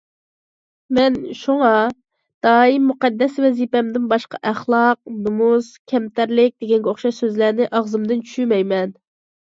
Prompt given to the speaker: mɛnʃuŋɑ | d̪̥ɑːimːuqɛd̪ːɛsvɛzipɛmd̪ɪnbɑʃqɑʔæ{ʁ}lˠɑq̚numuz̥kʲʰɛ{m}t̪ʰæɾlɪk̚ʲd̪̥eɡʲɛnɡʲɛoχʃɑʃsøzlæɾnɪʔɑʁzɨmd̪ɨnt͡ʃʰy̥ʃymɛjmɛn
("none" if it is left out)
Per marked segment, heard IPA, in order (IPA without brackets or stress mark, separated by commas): χ, m